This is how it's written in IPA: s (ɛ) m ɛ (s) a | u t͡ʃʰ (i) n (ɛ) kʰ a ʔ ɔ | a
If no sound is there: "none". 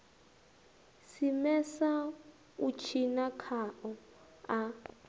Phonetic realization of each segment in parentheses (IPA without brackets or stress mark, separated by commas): i, s, i, a